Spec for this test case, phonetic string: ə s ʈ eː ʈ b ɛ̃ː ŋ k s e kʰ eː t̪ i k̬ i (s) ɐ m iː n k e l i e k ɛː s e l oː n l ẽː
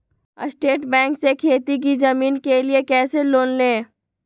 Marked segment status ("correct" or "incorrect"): incorrect